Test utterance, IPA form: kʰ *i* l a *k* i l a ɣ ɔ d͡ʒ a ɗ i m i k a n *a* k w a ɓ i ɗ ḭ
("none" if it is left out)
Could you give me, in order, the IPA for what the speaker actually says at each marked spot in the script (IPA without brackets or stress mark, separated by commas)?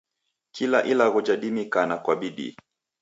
i, ʔ, a